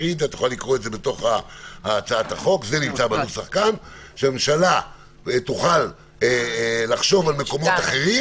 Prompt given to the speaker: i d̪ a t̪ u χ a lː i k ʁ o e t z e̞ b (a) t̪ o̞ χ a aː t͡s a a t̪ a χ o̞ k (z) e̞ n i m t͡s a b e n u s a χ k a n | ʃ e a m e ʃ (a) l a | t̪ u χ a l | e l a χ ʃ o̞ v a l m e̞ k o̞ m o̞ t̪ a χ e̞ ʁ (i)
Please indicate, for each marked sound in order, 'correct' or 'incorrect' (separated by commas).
incorrect, correct, correct, correct